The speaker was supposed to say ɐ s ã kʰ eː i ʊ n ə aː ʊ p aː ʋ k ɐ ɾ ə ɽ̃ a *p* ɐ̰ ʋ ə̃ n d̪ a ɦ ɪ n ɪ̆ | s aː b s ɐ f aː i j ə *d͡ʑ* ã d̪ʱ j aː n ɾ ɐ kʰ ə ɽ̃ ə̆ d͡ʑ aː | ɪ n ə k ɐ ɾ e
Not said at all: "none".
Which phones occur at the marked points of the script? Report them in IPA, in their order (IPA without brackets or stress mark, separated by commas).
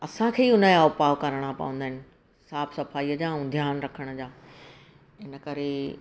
p, d͡ʑ